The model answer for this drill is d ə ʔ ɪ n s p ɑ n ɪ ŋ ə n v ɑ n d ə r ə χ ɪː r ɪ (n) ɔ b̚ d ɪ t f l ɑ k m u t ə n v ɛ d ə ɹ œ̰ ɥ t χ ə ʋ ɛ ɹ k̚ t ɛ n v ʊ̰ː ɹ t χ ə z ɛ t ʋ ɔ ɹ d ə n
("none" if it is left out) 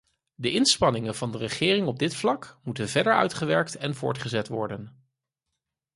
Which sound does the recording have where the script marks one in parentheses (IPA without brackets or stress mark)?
ŋ